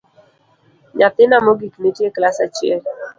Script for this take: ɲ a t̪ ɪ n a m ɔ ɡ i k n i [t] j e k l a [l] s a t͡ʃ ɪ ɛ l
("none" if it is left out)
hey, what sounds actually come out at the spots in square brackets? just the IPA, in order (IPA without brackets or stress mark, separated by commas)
t, none